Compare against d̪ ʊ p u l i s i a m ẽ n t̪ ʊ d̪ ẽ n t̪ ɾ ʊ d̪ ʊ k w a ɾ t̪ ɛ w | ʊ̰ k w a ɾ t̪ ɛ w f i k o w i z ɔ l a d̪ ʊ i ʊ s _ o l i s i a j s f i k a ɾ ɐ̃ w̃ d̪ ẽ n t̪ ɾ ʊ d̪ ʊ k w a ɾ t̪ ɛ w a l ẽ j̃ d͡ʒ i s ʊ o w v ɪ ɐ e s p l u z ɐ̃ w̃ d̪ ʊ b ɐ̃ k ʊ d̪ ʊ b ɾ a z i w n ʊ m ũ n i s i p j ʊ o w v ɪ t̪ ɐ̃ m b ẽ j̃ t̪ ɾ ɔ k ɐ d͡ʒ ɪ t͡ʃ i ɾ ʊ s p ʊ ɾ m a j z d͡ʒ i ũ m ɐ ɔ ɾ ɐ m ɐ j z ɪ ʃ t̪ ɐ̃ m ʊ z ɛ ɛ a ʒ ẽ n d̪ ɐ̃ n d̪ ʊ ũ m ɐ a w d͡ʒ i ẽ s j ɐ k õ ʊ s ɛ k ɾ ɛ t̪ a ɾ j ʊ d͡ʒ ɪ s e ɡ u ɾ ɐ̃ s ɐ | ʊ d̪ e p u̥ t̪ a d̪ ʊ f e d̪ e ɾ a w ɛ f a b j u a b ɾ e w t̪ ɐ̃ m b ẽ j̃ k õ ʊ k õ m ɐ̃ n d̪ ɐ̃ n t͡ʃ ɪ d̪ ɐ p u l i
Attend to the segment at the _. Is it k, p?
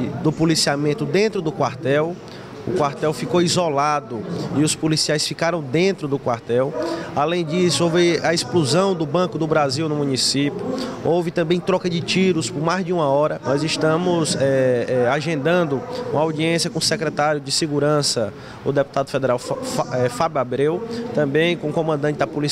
p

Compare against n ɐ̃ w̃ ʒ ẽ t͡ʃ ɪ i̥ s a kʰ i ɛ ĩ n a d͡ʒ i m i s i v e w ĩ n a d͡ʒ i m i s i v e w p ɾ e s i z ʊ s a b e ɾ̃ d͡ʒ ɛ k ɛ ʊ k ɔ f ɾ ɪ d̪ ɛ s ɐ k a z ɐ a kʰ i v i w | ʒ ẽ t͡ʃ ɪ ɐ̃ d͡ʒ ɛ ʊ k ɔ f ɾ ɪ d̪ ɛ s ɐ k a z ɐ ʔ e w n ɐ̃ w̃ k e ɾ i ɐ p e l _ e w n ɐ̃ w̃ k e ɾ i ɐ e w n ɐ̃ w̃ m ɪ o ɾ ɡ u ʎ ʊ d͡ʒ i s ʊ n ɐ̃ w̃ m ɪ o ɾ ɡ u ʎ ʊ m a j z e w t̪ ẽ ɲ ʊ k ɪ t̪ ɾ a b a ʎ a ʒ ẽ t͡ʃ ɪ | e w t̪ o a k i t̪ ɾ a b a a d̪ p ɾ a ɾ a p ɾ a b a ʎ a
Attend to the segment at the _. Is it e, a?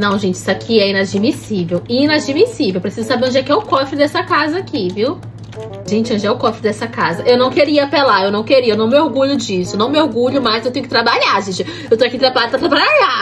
a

